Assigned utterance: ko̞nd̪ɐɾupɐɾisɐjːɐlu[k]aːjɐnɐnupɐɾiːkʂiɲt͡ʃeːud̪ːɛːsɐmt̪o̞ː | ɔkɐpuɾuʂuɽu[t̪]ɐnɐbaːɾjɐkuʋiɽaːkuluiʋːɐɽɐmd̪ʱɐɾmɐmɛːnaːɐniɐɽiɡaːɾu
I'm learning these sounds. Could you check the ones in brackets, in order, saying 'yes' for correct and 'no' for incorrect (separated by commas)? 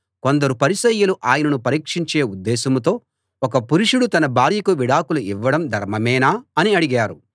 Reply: no, yes